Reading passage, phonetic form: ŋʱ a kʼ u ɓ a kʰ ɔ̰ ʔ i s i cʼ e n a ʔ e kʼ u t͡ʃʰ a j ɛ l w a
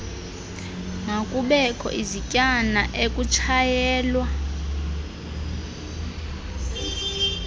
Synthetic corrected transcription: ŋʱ a kʼ u ɓ ɛ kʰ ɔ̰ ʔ i z i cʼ a n a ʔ e kʼ u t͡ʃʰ a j ɛː l w a